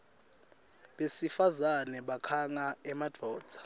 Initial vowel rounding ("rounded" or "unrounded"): unrounded